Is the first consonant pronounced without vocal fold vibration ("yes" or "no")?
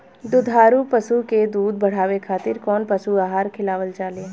no